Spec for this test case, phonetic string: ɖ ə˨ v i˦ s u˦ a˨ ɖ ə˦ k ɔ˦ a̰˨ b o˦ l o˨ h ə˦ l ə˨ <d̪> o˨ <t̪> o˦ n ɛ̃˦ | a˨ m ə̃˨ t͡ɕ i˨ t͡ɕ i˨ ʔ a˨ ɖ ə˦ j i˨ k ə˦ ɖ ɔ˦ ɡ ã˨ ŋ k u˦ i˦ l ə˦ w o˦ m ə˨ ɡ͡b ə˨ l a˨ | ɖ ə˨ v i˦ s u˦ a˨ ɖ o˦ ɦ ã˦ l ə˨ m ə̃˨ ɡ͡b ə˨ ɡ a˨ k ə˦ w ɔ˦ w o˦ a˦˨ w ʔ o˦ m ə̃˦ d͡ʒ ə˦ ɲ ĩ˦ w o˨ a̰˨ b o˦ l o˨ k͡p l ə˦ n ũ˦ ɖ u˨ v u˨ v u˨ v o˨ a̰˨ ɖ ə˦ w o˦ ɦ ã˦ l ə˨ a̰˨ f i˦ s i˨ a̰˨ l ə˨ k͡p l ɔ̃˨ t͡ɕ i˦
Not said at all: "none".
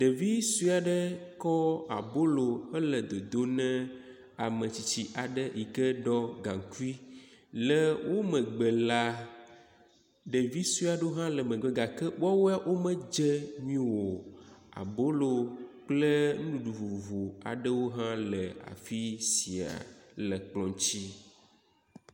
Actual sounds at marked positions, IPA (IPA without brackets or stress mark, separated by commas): d̪, d̪